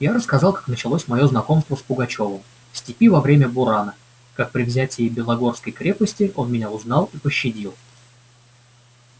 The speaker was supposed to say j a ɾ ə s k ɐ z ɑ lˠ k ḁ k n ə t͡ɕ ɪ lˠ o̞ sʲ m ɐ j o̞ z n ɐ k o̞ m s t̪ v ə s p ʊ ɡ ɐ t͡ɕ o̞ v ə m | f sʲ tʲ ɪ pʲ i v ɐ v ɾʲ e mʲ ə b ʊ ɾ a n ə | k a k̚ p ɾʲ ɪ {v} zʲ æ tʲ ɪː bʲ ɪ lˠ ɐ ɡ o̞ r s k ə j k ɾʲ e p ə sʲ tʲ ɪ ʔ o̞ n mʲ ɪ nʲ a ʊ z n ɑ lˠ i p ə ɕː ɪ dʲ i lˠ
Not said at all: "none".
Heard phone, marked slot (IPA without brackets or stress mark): v